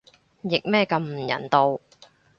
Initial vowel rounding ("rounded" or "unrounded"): unrounded